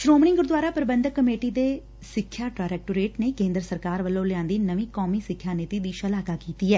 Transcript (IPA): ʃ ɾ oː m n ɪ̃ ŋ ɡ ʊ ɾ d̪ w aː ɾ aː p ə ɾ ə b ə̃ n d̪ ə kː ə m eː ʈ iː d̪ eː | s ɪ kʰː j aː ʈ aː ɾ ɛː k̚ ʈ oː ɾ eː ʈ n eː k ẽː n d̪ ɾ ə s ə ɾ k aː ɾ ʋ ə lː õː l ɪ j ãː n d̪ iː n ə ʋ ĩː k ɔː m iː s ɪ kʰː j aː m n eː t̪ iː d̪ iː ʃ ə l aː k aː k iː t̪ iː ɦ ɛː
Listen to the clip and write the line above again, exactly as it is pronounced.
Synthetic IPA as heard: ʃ ɾ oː m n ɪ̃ ŋ ɡ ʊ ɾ d̪ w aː ɾ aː p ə ɾ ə b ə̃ n d̪ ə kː ə m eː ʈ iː d̪ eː | s ɪ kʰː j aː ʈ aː ɾ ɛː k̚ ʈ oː ɾ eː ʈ n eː k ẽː n d̪ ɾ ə s ə ɾ k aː ɾ ʋ ə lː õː l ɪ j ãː n d̪ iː n ə ʋ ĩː k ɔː m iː s ɪ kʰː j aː n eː t̪ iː d̪ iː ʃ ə l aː k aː k iː t̪ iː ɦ ɛː